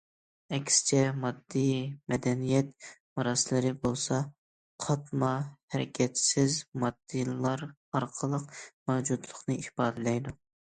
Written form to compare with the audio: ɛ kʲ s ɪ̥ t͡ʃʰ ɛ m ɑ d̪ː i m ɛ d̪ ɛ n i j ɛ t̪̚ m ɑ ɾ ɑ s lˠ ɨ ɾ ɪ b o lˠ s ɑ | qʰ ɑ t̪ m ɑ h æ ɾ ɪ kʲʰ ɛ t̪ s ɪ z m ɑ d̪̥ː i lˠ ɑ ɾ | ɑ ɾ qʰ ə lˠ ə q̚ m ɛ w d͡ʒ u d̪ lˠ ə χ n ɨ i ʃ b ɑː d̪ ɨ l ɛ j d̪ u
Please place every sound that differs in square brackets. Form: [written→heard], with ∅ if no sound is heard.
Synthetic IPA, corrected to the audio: ɛ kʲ s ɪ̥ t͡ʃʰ ɛ m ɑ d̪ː i m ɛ d̪ ɛ n i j ɛ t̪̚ m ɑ ɾ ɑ s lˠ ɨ ɾ ɪ b o lˠ s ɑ | qʰ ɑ t̪ m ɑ h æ ɾ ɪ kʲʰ ɛ t̪ s ɪ z m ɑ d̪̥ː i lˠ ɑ ɾ | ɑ ɾ qʰ ə lˠ ə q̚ m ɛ w d͡ʒ u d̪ lˠ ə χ n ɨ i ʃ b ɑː d̪ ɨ l ɛ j d̪ u